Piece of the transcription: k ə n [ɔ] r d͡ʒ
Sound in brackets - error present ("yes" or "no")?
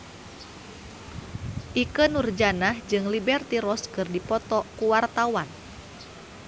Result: yes